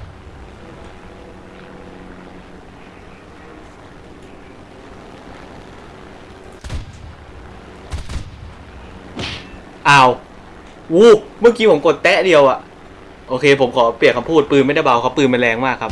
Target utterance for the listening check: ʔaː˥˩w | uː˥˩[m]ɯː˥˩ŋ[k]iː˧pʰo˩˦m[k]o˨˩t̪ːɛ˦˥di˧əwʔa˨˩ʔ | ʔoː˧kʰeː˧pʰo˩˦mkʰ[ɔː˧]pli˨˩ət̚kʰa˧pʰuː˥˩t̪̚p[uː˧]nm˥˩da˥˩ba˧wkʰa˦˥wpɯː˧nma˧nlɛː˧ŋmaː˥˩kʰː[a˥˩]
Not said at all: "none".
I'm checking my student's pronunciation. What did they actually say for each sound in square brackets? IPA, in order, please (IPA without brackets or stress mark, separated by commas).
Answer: m, k, k, ɔː˩˦, ɯː˧, a˦˥